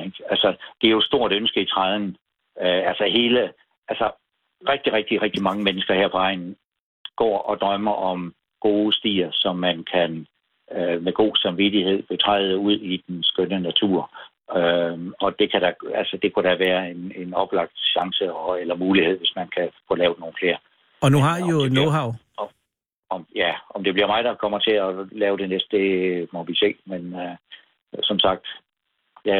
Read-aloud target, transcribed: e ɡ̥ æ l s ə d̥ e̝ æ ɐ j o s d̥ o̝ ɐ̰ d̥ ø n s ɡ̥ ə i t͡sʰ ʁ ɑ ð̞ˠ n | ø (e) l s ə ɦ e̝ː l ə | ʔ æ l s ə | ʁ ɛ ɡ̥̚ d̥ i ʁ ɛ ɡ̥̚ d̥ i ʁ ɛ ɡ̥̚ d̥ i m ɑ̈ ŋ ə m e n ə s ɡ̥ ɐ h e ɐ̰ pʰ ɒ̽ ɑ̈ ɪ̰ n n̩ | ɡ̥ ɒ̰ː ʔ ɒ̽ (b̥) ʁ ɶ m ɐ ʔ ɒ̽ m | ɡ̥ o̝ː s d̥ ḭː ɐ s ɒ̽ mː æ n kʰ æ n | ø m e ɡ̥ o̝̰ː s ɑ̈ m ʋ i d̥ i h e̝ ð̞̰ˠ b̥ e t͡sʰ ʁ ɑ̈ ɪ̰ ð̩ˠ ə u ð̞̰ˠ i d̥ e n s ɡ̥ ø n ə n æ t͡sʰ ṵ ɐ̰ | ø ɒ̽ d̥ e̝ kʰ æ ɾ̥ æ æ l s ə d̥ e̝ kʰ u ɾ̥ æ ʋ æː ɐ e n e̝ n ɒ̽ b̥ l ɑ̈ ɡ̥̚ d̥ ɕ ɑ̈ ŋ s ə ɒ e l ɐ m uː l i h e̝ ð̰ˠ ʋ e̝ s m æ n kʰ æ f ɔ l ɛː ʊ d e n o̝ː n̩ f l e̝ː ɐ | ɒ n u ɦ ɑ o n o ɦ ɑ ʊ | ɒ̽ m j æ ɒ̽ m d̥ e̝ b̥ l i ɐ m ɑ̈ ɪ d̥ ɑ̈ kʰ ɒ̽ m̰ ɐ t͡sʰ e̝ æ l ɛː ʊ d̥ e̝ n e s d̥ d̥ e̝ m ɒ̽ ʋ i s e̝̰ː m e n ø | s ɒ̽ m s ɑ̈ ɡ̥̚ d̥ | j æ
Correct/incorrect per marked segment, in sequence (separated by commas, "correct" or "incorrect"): incorrect, incorrect